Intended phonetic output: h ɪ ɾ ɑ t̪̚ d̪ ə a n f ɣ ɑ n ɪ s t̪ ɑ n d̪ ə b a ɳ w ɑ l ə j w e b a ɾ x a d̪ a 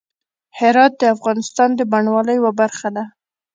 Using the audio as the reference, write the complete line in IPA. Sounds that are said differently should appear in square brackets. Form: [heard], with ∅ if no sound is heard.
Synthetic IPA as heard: h ɪ ɾ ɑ t̪̚ d̪ ə a [∅] f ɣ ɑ n ɪ s t̪ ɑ n d̪ ə b a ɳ w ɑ l ə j w [a] b a ɾ x a d̪ a